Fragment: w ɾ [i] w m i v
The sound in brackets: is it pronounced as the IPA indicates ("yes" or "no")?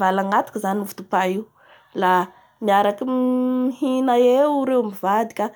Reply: no